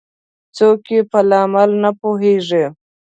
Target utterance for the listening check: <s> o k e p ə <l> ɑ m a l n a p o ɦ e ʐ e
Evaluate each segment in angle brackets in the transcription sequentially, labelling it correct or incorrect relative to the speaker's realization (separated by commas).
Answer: incorrect, correct